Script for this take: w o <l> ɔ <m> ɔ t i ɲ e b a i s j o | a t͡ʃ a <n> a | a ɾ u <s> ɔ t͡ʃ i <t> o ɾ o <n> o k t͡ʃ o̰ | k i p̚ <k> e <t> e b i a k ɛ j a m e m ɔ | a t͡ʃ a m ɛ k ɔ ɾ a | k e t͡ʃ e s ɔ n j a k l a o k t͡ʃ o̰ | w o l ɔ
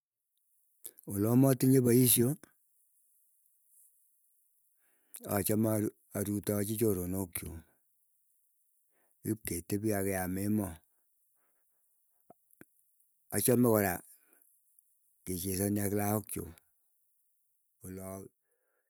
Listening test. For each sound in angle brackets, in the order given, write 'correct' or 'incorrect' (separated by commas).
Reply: correct, correct, incorrect, incorrect, incorrect, correct, correct, correct